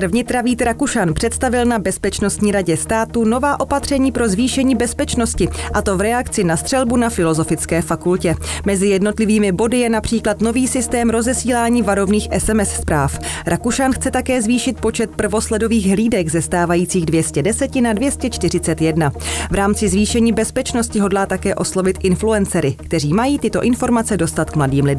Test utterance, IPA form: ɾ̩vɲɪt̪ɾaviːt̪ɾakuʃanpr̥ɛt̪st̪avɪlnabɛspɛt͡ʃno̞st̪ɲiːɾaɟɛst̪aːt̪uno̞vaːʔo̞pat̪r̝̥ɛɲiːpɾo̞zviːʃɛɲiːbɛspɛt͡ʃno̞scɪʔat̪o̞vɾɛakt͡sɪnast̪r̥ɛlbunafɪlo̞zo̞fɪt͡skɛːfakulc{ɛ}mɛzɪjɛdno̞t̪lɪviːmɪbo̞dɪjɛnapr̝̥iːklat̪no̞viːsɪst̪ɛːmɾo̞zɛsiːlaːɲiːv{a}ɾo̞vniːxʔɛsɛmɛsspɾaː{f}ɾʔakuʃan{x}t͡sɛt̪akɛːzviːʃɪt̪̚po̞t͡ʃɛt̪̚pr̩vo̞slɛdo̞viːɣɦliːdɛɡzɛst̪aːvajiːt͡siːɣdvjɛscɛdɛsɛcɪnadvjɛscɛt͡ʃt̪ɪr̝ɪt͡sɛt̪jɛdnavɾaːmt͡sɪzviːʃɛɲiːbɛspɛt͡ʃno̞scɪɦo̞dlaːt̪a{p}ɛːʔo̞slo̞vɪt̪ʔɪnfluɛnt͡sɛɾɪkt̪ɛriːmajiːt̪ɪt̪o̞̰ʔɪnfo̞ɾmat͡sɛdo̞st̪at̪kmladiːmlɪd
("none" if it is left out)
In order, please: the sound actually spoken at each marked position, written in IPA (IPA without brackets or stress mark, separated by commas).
ɛ, a, f, x, k